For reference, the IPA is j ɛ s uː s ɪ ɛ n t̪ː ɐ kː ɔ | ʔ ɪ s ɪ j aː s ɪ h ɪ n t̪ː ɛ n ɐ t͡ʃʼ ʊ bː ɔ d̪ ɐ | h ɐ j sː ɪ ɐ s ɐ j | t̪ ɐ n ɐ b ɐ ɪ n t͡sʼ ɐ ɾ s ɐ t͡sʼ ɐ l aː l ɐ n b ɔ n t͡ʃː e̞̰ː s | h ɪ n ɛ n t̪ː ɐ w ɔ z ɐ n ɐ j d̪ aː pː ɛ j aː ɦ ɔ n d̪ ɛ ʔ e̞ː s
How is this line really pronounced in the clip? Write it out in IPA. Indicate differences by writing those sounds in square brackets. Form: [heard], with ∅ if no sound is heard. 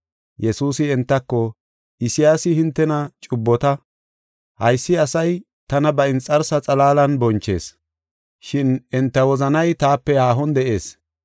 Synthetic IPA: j ɛ s uː s ɪ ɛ n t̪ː ɐ kː ɔ | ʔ ɪ s ɪ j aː s ɪ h ɪ n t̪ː ɛ n ɐ t͡ʃʼ ʊ bː ɔ [t̪] ɐ | h ɐ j sː ɪ ɐ s ɐ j | t̪ ɐ n ɐ b ɐ ɪ n t͡sʼ ɐ ɾ s ɐ t͡sʼ ɐ l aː l ɐ n b ɔ n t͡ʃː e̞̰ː s | [ʃ] ɪ n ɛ n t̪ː ɐ w ɔ z ɐ n ɐ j [t̪] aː pː ɛ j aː ɦ ɔ n d̪ ɛ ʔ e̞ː s